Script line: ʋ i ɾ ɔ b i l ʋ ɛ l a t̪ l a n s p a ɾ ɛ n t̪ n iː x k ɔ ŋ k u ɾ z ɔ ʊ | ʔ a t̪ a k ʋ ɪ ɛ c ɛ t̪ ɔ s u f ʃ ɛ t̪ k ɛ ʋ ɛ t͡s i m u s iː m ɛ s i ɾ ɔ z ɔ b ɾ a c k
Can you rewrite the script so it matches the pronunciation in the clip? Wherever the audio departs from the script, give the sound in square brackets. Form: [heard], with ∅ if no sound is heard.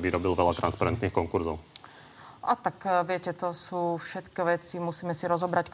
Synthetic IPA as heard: ʋ i ɾ ɔ b i l ʋ ɛ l a t̪ [ɾ] a n s p a ɾ ɛ n t̪ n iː x k ɔ ŋ k u ɾ z ɔ ʊ | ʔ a t̪ a k ʋ ɪ ɛ c ɛ t̪ ɔ s [uː] f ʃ ɛ t̪ k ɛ ʋ ɛ t͡s i m u s iː m ɛ s i ɾ ɔ z ɔ b ɾ a c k